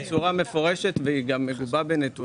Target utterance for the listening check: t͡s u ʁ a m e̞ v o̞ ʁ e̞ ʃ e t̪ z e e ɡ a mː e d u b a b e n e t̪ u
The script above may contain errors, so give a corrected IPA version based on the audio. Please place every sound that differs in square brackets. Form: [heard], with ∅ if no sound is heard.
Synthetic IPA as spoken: t͡s u ʁ a m e̞ [f] o̞ ʁ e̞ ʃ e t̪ [v] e [i] ɡ a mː e [ɡ] u b a b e n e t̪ u